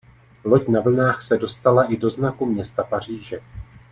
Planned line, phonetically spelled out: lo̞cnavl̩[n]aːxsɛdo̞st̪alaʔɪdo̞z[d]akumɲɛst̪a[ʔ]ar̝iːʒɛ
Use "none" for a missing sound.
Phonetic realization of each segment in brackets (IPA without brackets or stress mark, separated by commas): n, n, p